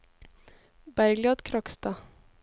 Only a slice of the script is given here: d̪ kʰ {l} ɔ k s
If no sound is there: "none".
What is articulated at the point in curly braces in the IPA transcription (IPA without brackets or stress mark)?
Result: ɾ